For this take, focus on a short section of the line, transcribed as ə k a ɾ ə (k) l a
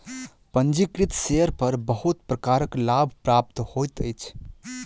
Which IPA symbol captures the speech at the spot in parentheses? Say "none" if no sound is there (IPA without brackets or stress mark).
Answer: k